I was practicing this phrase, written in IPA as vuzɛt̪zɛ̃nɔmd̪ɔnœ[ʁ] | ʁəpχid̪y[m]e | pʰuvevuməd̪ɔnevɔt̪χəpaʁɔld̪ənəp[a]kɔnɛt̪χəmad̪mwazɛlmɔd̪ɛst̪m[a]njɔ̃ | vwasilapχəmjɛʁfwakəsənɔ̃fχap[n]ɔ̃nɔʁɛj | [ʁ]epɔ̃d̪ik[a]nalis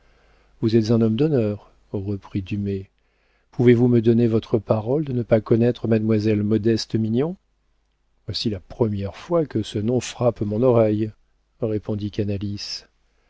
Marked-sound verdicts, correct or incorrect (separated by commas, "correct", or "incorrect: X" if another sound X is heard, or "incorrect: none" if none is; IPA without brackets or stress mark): correct, correct, correct, incorrect: i, incorrect: m, correct, correct